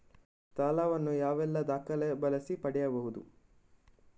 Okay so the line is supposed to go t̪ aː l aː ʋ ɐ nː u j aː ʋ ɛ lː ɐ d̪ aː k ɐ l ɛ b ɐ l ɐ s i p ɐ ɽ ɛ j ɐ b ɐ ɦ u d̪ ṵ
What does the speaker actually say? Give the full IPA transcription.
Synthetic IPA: t̪ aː l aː ʋ ɐ nː u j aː ʋ ɛ lː ɐ d̪ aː k ɐ l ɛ b ɐ l ɐ s i p ɐ ɽ ɛ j ɐ b ɐ ɦ u d̪ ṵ